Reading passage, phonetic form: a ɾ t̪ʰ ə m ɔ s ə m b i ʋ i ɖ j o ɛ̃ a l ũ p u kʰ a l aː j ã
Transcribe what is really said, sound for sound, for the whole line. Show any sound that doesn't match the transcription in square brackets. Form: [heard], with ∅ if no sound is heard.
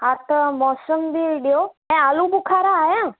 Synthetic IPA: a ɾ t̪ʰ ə m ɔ s ə m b i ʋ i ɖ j o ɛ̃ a l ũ [b] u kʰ a [ɾ] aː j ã